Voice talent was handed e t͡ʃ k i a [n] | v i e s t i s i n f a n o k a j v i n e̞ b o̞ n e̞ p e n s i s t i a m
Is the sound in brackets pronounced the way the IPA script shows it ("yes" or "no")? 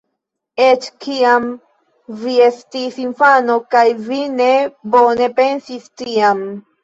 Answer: no